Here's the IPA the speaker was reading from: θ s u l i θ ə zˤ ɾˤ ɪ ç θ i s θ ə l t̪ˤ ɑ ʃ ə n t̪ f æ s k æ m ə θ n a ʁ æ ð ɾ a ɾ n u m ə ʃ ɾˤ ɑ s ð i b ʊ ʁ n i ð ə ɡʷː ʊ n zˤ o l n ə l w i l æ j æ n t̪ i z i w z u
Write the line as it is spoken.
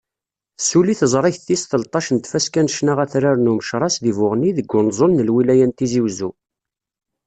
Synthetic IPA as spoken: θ s u l i θ ə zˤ ɾˤ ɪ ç θ i s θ ə l t̪ˤ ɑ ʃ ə n t̪ f æ s k æ n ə ʃ n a ʁ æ θ ɾ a ɾ n u m ə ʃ ɾˤ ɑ s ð i v ʊ ʁ n i ð ə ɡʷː ʊ n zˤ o l n ə l w i l æ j æ n t̪ i z i w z u